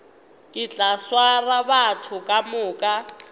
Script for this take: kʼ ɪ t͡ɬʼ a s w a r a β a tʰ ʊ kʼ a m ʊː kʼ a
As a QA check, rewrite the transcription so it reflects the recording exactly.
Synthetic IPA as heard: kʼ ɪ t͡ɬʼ a s w a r a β a tʰ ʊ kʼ a m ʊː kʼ a